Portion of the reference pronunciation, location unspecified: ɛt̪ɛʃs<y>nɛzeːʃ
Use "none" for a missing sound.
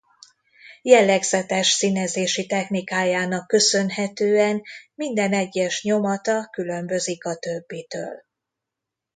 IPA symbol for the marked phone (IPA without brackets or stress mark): i